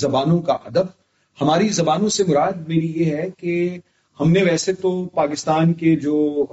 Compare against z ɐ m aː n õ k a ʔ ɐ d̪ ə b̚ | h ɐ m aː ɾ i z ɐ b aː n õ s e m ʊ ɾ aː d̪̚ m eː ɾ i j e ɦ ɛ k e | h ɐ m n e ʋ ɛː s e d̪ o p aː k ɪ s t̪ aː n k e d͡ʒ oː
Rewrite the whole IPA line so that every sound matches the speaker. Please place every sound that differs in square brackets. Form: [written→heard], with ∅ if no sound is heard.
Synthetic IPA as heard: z ɐ [m→b] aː n õ k a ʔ ɐ d̪ ə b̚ | h ɐ m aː ɾ i z ɐ b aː n õ s e m ʊ ɾ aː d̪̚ m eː ɾ i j e ɦ ɛ k e | h ɐ m n e ʋ ɛː s e [d̪→t̪] o p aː k ɪ s t̪ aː n k e d͡ʒ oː